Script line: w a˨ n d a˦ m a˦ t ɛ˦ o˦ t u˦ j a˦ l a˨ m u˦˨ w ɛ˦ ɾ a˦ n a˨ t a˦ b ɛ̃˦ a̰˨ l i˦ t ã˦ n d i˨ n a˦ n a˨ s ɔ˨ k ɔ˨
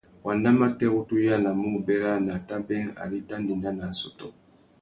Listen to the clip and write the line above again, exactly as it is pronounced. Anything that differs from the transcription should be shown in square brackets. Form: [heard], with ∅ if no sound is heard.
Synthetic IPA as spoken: w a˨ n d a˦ m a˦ t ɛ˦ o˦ t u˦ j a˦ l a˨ m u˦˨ [b] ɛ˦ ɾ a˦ n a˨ t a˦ b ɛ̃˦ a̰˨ l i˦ t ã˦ n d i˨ n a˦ n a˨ s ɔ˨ [t] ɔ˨